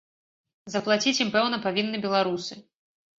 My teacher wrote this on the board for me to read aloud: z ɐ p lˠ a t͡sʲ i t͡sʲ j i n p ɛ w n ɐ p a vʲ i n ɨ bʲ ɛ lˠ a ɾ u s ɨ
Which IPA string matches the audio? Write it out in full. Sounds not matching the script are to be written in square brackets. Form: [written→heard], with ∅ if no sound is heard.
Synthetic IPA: z ɐ p lˠ a t͡sʲ i t͡sʲ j i [n→m] p ɛ w n ɐ p a vʲ i [n→nː] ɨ bʲ ɛ lˠ a ɾ u s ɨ